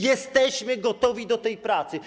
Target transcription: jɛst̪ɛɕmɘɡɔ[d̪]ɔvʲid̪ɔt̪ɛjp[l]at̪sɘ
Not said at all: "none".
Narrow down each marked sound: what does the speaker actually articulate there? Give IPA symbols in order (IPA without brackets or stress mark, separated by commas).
t̪, ɾ